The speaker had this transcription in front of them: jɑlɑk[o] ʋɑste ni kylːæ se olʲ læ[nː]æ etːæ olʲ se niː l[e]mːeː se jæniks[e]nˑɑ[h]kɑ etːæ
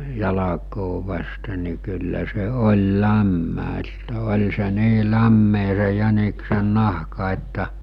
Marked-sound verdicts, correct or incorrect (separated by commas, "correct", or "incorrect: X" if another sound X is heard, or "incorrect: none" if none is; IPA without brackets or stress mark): incorrect: oː, incorrect: mː, incorrect: æ, correct, correct